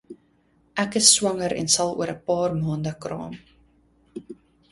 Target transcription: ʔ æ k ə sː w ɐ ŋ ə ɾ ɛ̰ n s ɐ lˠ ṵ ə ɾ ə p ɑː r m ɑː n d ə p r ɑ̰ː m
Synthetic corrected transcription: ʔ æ k ə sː w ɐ ŋ ə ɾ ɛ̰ n s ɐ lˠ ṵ ə ɾ ə p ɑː r m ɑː n d ə k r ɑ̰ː m